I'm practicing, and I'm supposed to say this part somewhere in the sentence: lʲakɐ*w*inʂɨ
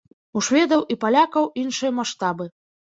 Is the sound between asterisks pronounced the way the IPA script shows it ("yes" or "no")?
yes